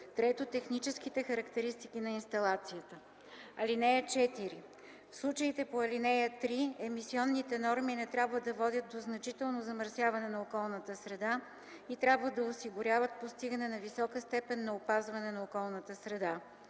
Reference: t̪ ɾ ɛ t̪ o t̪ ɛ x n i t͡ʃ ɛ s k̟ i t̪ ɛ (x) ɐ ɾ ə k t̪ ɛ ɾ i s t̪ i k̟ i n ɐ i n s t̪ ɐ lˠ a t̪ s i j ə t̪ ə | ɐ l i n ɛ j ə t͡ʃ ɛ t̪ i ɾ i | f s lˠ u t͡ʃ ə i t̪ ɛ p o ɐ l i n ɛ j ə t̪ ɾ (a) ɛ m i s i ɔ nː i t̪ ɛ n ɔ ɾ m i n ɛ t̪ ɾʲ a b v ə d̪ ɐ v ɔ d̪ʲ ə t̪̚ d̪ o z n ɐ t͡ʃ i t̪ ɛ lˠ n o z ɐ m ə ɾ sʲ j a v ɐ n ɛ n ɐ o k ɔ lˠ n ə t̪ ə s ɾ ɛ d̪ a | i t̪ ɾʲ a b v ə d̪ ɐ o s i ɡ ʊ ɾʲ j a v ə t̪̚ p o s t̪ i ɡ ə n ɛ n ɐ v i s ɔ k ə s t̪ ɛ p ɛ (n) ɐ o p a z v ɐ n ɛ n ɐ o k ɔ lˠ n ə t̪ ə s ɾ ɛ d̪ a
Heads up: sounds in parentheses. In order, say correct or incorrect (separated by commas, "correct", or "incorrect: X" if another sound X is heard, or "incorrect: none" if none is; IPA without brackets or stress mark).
correct, incorrect: i, incorrect: nː